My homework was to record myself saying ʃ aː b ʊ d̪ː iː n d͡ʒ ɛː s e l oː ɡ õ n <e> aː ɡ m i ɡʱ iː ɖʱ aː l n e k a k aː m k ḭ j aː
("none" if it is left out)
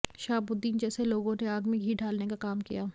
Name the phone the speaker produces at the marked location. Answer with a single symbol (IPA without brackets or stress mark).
e